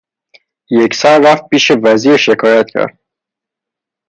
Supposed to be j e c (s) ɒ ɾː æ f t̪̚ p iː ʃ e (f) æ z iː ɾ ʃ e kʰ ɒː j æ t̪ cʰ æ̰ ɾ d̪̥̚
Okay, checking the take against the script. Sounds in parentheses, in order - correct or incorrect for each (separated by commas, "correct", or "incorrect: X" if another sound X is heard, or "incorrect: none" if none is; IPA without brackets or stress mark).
correct, incorrect: v